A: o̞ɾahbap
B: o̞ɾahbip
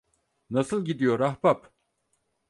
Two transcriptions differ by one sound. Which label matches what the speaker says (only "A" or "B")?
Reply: A